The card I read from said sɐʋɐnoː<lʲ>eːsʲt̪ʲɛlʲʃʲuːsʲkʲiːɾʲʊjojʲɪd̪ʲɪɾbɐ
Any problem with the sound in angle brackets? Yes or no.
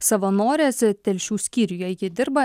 yes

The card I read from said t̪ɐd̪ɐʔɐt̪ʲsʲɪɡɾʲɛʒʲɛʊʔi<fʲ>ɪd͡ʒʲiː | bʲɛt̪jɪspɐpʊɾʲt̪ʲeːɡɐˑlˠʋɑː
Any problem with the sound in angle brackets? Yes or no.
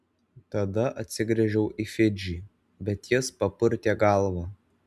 no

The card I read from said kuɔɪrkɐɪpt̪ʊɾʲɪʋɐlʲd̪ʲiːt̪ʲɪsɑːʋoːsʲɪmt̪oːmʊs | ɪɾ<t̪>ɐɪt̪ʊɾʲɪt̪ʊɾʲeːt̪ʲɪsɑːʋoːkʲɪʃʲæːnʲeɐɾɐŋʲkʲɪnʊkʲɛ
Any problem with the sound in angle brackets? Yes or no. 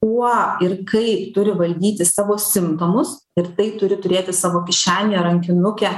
no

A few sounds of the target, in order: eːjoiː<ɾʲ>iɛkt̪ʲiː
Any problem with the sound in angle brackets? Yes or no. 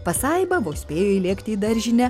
yes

